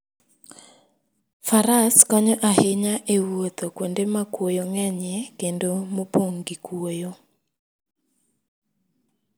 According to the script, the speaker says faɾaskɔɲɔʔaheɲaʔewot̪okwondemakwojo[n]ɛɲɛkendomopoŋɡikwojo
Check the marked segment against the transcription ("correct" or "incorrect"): incorrect